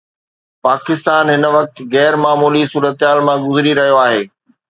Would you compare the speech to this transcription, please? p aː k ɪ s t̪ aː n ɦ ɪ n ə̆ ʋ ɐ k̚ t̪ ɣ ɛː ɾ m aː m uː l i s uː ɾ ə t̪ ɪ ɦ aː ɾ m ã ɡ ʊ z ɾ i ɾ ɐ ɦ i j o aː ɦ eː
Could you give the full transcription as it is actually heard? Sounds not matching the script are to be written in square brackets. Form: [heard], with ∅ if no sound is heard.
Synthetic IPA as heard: p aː k ɪ s t̪ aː n ɦ ɪ n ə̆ ʋ ɐ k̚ t̪ ɣ ɛː ɾ m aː m uː l i s uː ɾ ə t̪ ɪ ɦ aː [l] m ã ɡ ʊ z ɾ i ɾ ɐ ɦ i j o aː ɦ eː